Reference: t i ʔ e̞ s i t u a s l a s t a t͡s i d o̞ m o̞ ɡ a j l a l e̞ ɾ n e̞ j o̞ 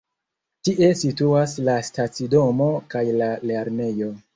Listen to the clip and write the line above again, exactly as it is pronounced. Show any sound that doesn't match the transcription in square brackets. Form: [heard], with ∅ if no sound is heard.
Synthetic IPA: t i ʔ e̞ s i t u a s l a s t a t͡s i d o̞ m o̞ [k] a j l a l e̞ ɾ n e̞ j o̞

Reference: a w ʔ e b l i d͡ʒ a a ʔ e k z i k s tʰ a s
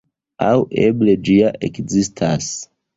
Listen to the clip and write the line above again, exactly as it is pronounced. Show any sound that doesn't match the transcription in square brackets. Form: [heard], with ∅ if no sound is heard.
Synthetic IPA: a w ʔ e b l [e] d͡ʒ [i] a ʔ e k z i [∅] s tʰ a s

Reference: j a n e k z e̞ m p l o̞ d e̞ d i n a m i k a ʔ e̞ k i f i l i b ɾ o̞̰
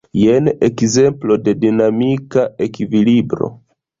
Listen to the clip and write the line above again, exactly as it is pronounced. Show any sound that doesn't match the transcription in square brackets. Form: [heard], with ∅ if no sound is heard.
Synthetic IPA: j [e] n e k z e̞ m p l o̞ d e̞ d i n a m i k a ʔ e̞ k i [v] i l i b ɾ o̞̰

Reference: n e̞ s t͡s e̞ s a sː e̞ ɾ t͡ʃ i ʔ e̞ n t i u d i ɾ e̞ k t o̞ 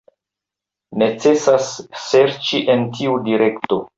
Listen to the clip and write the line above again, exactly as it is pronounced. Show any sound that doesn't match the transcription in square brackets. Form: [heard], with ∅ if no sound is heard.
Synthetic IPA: n e̞ [∅] t͡s e̞ s a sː e̞ ɾ t͡ʃ i ʔ e̞ n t i u d i ɾ e̞ k t o̞

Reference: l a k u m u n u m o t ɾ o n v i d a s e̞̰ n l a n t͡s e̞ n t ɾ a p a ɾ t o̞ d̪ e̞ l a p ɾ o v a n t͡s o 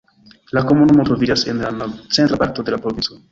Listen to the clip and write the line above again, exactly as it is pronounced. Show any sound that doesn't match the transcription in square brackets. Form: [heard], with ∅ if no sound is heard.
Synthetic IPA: l a k [o] m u n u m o t ɾ o [∅] v i [d͡ʒ] a s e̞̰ n l a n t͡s e̞ n t ɾ a p a ɾ t o̞ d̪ e̞ l a p ɾ o v [i] n t͡s o

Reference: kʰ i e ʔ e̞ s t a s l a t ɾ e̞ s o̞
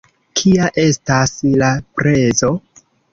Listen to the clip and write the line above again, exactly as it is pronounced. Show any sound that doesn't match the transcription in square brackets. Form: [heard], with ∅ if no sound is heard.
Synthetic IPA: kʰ i [a] ʔ e̞ s t a s l a [p] ɾ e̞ [z] o̞

